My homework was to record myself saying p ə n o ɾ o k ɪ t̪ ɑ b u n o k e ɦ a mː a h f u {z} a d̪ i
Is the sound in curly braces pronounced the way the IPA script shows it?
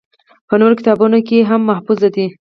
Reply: yes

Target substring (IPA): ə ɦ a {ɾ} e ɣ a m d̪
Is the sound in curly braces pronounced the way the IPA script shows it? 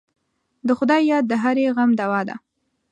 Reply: yes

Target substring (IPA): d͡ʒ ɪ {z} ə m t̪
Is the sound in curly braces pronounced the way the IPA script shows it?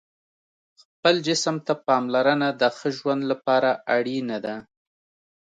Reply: no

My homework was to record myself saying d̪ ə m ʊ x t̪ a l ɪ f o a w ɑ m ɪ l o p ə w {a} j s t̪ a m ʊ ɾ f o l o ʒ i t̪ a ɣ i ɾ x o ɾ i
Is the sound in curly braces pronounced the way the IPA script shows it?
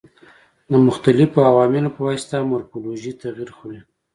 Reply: yes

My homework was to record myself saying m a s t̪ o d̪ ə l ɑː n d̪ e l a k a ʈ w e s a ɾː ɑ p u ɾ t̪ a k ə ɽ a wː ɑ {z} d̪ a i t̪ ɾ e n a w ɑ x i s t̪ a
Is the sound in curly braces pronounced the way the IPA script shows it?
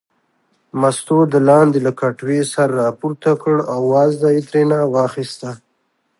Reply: yes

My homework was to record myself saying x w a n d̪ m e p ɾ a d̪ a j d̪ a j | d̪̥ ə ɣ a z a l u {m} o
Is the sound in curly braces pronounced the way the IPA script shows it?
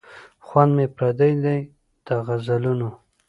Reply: no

